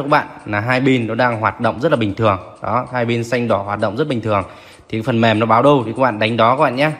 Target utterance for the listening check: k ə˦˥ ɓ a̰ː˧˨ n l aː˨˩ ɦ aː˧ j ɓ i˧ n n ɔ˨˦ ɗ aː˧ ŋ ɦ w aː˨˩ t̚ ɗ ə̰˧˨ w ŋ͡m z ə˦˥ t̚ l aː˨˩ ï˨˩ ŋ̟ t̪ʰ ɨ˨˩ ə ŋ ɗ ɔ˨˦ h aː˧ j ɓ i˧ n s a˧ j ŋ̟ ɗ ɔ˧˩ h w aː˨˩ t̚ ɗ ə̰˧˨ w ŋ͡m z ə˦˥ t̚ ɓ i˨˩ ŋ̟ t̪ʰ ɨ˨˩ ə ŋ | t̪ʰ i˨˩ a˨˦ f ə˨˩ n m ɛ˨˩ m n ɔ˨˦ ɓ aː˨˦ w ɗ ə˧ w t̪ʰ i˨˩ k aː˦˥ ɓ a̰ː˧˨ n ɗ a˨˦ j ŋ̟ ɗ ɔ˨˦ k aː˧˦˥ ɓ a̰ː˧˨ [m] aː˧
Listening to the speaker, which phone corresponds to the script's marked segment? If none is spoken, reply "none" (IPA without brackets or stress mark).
ɲ